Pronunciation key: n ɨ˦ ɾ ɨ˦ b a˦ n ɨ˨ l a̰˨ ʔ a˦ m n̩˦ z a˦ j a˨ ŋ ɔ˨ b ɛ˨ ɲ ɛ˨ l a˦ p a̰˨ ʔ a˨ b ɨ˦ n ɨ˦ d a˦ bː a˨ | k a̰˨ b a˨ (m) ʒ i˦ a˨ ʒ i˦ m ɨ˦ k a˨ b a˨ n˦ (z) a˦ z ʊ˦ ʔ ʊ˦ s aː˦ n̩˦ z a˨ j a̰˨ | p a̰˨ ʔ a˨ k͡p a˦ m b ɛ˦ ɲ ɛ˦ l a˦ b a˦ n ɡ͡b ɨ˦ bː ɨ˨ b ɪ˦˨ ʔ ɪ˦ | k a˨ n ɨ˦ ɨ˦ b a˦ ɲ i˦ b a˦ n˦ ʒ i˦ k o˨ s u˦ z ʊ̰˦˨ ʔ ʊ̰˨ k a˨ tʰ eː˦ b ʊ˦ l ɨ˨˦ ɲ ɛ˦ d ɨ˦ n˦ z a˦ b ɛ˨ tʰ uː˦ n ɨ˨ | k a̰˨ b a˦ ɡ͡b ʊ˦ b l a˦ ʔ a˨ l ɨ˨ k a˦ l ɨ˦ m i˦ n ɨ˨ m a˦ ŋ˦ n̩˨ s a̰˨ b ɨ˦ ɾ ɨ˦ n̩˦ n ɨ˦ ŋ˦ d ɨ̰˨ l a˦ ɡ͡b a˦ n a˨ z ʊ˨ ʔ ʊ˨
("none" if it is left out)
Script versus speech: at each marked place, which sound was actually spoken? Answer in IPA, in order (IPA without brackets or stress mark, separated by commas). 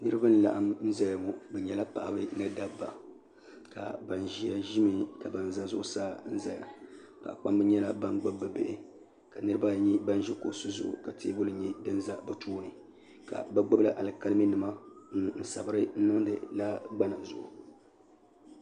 n, z